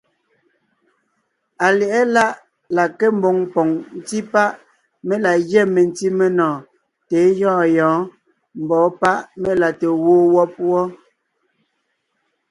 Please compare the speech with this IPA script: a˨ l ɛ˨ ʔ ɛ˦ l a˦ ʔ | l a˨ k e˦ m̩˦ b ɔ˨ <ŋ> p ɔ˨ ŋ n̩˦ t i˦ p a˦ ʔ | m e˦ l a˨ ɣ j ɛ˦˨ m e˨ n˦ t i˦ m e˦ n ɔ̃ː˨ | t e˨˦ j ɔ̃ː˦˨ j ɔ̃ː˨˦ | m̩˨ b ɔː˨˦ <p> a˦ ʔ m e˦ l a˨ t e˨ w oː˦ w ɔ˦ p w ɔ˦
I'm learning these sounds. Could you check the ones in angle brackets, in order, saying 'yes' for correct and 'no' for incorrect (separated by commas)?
yes, yes